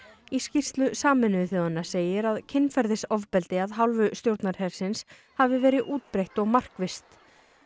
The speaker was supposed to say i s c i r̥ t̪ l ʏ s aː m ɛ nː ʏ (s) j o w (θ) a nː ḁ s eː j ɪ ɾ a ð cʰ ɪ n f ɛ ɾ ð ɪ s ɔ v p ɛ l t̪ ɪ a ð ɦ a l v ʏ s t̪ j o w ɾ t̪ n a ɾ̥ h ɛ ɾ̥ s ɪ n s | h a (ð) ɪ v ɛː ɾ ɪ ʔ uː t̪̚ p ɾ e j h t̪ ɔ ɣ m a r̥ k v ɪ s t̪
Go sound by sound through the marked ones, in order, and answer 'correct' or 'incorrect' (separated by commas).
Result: incorrect, incorrect, incorrect